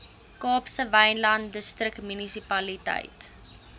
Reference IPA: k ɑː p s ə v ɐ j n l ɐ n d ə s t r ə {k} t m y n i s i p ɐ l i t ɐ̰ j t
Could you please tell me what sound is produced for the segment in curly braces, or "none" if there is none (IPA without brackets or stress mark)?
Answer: k